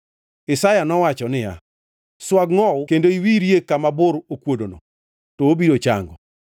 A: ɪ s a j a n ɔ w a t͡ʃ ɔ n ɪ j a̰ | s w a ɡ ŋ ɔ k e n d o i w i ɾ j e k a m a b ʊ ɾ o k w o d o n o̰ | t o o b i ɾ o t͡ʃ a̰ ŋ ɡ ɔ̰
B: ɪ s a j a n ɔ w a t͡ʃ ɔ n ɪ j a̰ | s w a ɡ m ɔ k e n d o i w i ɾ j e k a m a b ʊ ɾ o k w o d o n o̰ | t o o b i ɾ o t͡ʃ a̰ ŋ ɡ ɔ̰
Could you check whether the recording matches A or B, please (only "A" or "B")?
A